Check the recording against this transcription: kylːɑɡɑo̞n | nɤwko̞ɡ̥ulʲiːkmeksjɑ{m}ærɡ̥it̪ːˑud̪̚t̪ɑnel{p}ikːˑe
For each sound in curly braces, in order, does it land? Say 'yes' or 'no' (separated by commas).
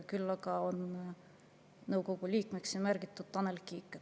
yes, no